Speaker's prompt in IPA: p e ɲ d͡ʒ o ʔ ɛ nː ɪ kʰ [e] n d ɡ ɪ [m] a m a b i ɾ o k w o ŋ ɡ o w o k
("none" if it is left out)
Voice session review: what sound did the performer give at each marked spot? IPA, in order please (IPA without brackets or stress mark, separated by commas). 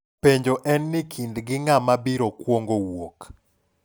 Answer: i, ŋ